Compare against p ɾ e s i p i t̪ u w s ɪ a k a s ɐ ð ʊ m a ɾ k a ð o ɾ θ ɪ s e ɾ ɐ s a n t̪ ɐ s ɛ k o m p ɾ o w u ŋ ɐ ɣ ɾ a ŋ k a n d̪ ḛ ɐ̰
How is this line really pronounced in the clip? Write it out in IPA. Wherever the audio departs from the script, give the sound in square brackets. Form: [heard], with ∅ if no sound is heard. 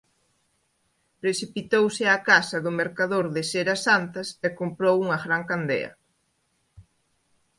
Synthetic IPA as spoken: p ɾ e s i p i t̪ [o] w s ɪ a k a s ɐ ð ʊ m [e] ɾ k a ð o ɾ [ð] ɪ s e ɾ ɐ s a n t̪ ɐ s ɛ k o m p ɾ o w u ŋ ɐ ɣ ɾ a ŋ k a n d̪ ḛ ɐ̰